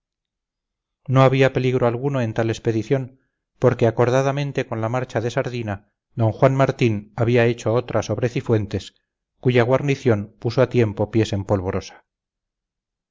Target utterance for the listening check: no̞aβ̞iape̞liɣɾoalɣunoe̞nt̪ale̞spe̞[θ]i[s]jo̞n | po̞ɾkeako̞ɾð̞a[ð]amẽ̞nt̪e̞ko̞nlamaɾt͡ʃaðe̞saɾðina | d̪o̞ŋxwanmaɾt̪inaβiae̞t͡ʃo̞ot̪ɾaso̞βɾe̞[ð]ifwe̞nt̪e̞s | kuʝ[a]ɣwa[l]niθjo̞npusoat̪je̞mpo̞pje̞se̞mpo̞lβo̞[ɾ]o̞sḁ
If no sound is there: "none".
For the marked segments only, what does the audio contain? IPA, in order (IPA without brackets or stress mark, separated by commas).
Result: ð, θ, ð, θ, a, ɾ, ɾ